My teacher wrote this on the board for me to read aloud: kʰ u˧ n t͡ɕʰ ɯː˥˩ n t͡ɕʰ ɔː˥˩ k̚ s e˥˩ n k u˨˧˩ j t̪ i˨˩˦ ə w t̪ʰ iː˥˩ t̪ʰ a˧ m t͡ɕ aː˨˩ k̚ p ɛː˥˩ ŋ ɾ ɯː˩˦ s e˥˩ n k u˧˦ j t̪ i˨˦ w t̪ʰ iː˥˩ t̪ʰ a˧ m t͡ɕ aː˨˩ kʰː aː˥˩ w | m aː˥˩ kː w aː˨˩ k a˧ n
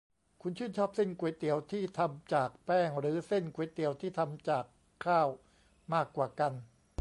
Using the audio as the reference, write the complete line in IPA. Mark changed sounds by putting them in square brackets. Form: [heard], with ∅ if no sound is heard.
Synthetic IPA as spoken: kʰ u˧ n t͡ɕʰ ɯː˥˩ n t͡ɕʰ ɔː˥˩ [p̚] s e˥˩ n k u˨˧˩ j t̪ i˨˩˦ ə w t̪ʰ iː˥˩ t̪ʰ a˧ m t͡ɕ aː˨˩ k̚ p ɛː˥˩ ŋ ɾ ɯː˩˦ s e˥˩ n k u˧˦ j t̪ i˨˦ w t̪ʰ iː˥˩ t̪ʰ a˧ m t͡ɕ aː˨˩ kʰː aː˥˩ w | m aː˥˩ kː w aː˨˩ k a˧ n